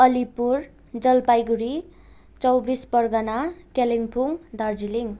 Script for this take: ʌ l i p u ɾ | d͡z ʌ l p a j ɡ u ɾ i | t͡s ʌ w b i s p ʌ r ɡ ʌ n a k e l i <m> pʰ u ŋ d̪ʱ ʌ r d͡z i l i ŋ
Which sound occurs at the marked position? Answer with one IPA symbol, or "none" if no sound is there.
ŋ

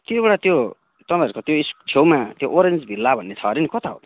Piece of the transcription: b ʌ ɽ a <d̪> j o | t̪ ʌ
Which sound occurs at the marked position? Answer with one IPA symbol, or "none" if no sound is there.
t̪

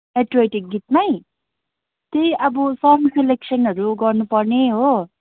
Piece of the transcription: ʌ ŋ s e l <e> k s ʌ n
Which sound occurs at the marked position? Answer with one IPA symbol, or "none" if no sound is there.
e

